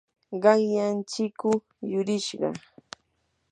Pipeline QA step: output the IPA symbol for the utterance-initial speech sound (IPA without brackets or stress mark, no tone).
ɢ